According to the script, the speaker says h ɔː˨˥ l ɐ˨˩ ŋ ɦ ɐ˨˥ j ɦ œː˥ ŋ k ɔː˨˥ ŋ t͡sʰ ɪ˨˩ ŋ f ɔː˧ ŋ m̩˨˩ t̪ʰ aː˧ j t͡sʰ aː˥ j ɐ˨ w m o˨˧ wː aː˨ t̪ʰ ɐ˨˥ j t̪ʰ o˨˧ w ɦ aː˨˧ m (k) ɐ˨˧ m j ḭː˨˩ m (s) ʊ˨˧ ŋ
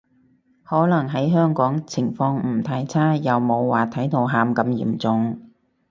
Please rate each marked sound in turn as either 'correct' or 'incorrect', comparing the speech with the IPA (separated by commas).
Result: correct, incorrect